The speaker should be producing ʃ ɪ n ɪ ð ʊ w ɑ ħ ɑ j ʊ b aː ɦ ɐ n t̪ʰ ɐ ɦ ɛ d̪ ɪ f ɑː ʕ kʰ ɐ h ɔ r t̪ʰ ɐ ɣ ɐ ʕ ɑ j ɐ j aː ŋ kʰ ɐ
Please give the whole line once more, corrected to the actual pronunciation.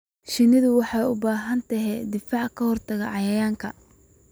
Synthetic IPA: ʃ ɪ n ɪ ð ʊ w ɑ ħ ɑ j ʊ b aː ɦ ɐ n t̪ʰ ɐ ɦ ɛ d̪ ɪ f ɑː ʕ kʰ ɐ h ɔ r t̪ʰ ɐ ɣ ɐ ʕ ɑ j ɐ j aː ŋ kʰ ɐ